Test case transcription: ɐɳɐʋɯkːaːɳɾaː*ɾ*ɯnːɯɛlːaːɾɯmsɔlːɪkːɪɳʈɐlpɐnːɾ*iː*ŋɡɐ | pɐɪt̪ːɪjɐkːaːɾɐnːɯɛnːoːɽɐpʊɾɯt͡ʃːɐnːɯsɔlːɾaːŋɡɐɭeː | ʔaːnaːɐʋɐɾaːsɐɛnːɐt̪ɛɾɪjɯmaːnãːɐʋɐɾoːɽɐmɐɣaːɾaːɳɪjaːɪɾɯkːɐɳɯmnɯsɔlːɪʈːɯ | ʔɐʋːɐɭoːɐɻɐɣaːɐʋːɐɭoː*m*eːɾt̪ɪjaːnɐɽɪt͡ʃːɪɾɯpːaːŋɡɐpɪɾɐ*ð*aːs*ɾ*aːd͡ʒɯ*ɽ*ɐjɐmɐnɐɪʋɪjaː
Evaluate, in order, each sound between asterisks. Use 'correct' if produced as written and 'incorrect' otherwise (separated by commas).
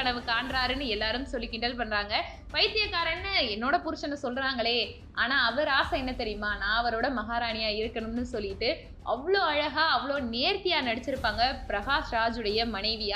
correct, incorrect, incorrect, incorrect, correct, correct